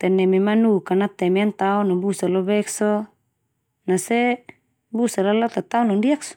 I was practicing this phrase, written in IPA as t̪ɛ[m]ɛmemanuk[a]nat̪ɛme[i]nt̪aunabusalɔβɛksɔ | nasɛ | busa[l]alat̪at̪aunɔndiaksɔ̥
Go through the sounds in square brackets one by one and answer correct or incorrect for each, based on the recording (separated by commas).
incorrect, correct, incorrect, correct